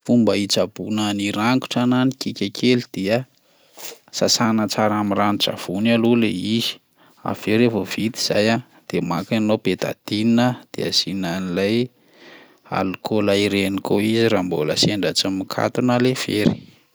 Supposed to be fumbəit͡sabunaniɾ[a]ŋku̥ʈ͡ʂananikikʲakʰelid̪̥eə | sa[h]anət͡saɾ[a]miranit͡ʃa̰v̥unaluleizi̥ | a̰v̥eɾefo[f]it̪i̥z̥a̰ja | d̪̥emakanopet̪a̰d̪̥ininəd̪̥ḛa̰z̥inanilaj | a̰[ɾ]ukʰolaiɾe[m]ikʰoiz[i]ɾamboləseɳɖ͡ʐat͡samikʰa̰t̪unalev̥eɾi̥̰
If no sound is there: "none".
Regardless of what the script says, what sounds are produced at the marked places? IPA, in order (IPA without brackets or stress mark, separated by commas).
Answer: a, s, a, v, l, n, i